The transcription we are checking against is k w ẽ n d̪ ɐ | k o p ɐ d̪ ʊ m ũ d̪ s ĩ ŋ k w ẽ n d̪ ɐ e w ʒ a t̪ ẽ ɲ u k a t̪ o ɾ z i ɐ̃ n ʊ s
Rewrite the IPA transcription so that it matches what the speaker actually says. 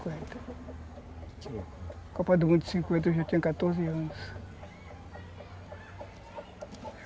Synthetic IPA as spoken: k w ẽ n t̪ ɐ | k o p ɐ d̪ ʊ m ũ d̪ s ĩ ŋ k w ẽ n t̪ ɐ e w ʒ a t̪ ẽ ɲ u k a t̪ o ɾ z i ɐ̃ n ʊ s